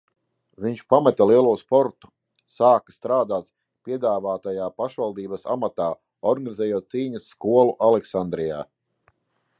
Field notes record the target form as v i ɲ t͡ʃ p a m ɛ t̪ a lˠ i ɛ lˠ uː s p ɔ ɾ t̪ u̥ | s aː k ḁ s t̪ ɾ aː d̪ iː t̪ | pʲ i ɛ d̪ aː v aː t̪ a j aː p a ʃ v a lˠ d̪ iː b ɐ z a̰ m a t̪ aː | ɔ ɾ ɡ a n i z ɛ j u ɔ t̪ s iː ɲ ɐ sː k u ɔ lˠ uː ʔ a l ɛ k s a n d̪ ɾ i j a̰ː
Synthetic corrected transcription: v i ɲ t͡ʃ p a m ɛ t̪ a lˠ i ɛ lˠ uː s p ɔ ɾ t̪ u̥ | s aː k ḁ s t̪ ɾ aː d̪ aː t̪ | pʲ i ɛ d̪ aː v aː t̪ a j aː p a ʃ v a lˠ d̪ iː b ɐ s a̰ m a t̪ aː | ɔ ɾ ɡ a n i z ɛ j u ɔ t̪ s iː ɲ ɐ sː k u ɔ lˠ u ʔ a l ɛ k s a n d̪ ɾ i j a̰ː